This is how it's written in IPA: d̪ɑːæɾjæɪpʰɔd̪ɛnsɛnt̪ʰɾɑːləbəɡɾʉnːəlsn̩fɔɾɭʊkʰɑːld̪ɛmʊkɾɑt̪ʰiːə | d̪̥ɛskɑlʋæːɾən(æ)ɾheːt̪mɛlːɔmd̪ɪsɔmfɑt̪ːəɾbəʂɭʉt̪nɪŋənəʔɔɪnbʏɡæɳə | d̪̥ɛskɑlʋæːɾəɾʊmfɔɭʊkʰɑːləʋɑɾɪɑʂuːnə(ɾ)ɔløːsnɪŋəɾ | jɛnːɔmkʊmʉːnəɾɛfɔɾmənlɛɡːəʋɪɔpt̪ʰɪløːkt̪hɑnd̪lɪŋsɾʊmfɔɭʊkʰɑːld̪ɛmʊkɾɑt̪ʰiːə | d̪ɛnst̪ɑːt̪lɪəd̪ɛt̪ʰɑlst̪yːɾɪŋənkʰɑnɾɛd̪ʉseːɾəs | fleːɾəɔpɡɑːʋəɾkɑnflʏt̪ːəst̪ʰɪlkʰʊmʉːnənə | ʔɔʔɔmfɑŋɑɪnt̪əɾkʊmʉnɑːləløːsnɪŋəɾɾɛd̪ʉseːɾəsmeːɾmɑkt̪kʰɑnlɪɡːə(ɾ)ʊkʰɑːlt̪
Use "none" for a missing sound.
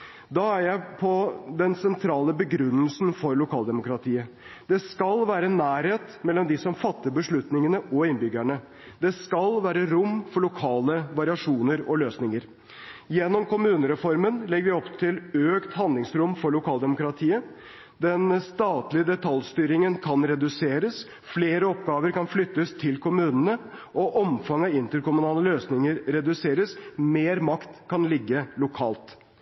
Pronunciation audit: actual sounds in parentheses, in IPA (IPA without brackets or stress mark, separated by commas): æː, ɾ, l